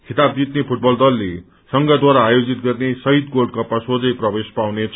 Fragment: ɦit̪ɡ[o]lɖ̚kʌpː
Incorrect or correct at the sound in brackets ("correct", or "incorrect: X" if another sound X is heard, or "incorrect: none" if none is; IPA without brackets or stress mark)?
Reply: correct